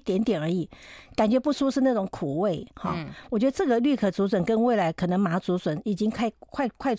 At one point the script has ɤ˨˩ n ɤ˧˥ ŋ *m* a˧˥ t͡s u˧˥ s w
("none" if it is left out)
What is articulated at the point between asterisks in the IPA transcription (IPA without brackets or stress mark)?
m